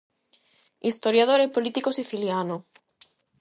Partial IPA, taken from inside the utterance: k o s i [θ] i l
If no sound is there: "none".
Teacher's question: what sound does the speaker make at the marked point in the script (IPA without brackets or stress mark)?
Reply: θ